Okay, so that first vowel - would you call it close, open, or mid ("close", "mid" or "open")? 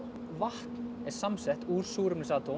open